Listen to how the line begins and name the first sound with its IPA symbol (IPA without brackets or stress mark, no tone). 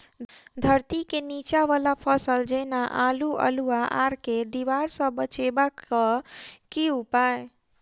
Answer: d̪ʱ